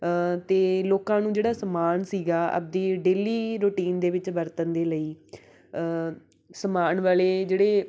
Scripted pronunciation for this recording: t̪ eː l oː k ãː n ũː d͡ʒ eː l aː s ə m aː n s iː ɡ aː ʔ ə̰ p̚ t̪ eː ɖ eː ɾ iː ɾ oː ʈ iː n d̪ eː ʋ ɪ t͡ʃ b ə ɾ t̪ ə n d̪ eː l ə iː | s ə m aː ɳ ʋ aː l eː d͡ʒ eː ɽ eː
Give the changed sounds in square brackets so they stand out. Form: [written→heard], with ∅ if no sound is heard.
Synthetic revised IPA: t̪ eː l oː k ãː n ũː d͡ʒ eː [l→ɽ] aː s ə m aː n s iː ɡ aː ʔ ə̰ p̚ [t̪→d̪] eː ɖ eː [ɾ→l] iː ɾ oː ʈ iː n d̪ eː ʋ ɪ t͡ʃ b ə ɾ t̪ ə n d̪ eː l ə iː | s ə m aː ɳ ʋ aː l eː d͡ʒ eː ɽ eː